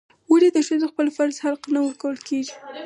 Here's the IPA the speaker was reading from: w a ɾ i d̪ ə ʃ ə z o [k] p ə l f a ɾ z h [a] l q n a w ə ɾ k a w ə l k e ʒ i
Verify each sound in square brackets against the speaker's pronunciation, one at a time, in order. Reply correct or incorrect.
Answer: incorrect: x, correct

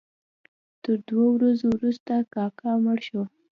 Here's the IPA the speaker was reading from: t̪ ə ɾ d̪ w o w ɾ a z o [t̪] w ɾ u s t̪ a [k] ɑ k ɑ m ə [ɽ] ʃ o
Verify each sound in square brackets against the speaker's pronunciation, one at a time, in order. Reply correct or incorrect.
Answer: incorrect: none, correct, correct

